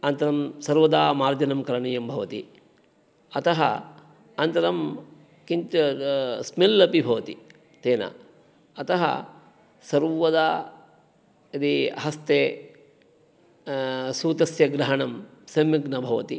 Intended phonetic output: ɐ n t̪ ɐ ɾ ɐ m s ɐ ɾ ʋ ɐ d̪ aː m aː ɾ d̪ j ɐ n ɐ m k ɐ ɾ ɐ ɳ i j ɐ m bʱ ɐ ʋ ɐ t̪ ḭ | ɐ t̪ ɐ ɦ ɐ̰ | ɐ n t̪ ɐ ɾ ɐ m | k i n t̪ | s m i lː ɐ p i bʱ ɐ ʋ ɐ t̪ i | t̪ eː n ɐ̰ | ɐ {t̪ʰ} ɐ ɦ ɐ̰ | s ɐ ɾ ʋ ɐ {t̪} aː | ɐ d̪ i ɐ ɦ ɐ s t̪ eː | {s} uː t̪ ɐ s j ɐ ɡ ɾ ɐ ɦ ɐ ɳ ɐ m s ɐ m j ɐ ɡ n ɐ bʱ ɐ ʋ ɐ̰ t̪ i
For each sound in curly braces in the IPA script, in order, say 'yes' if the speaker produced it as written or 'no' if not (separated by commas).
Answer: no, no, yes